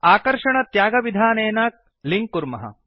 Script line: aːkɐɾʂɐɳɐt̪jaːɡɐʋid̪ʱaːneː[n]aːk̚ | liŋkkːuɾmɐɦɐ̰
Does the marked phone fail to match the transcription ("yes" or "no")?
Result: no